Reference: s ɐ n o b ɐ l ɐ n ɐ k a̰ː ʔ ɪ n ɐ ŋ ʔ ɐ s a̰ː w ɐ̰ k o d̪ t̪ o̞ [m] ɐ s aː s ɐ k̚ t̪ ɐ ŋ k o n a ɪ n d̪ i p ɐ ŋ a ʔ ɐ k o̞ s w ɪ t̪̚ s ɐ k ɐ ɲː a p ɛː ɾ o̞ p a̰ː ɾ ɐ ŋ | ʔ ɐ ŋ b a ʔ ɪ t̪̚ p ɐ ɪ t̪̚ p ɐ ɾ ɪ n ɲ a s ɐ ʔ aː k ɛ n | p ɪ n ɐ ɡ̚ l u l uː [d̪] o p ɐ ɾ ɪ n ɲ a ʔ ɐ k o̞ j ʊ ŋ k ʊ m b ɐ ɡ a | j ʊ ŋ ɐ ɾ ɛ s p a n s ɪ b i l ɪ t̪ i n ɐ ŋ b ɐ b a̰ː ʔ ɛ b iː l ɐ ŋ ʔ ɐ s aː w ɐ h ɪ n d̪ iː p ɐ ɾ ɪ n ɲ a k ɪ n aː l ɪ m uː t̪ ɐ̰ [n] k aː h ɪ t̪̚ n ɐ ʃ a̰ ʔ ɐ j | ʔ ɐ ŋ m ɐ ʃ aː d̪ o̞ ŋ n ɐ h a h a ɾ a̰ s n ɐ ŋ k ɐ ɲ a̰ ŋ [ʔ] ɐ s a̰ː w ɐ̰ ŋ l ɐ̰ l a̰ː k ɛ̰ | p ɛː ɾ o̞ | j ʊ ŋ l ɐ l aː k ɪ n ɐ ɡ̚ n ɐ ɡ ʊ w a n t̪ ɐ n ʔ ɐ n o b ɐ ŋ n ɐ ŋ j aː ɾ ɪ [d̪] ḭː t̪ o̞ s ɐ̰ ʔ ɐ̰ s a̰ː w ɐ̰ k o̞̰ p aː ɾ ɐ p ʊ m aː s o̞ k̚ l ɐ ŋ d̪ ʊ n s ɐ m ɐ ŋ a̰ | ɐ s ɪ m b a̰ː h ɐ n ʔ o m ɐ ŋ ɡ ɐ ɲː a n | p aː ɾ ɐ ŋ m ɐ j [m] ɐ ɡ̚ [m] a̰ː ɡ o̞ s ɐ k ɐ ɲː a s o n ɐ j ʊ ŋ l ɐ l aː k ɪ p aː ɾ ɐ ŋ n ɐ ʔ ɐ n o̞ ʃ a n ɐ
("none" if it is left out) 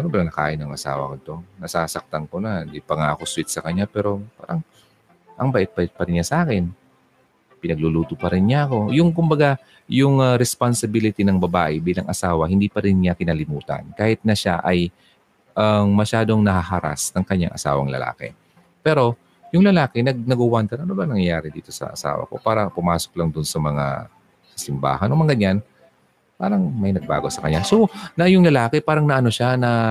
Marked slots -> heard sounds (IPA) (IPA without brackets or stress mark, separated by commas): n, t̪, n, ʔ, d̪, n, b